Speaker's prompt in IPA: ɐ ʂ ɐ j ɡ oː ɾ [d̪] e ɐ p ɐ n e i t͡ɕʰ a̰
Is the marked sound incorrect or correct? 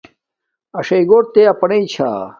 incorrect: t̪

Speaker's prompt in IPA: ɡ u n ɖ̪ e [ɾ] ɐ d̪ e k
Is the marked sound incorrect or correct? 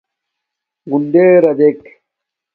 correct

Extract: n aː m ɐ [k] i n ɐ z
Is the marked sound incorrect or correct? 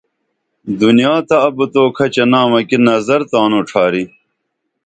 correct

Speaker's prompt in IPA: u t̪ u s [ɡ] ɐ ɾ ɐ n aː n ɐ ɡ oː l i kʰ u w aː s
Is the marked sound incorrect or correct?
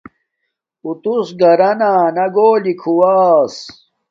correct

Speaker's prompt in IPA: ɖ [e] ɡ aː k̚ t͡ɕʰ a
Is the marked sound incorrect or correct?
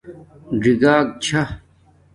incorrect: i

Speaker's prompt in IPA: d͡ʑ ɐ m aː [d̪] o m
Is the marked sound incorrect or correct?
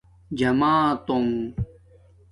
incorrect: t̪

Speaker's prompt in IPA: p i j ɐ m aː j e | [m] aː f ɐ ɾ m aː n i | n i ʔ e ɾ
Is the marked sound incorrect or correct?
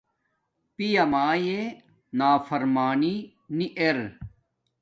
incorrect: n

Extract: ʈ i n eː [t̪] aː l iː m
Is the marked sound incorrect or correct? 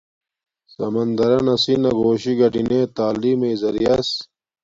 correct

